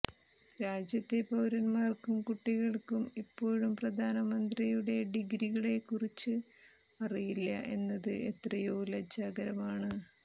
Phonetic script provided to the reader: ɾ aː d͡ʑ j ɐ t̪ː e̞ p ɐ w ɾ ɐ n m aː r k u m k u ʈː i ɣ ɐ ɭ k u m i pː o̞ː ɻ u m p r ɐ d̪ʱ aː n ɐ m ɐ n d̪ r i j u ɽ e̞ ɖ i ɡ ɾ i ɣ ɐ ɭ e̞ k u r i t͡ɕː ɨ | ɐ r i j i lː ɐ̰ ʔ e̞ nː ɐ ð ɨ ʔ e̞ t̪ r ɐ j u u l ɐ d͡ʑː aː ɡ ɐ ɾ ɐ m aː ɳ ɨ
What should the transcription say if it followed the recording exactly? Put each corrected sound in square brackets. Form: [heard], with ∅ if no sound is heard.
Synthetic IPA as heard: ɾ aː d͡ʑ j ɐ t̪ː e̞ p ɐ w ɾ ɐ n m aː r k u m k u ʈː i ɣ ɐ ɭ k u m i pː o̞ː ɻ u m p r ɐ d̪ʱ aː n ɐ m ɐ n d̪ r i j u ɽ e̞ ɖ i ɡ ɾ i ɣ ɐ ɭ e̞ k u r i t͡ɕː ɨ | ɐ r i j i lː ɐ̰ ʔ e̞ nː ɐ ð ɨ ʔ e̞ t̪ r ɐ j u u l ɐ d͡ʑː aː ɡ ɐ ɾ ɐ m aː ɳ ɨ